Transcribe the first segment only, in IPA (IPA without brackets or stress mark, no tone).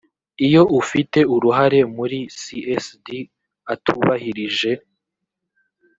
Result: i